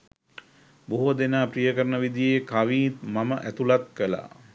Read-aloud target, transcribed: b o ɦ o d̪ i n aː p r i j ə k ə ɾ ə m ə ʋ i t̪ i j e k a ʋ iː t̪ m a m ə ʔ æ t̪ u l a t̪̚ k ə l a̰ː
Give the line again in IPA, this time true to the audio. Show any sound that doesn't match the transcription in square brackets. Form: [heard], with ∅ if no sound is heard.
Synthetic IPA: b o ɦ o d̪ [e] n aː p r i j ə k ə ɾ ə [n] ə ʋ i [d̪] i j e k a ʋ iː t̪ m a m ə ʔ æ t̪ u l a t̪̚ k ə l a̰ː